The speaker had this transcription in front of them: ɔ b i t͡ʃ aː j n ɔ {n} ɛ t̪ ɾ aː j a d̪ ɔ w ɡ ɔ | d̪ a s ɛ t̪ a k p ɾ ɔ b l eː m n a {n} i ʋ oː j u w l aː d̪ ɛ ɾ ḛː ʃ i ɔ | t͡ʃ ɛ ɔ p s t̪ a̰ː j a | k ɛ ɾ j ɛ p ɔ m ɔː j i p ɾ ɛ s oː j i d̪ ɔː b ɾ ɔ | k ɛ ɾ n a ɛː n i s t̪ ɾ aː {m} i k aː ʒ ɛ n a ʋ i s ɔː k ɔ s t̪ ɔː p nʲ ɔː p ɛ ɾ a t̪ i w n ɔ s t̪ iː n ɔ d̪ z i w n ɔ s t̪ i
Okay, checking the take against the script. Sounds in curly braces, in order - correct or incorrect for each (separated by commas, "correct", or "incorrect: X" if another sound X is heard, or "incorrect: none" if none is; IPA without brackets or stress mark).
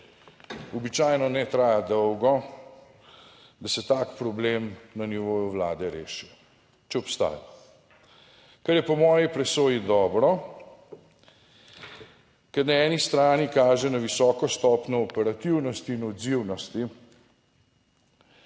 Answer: correct, correct, incorrect: n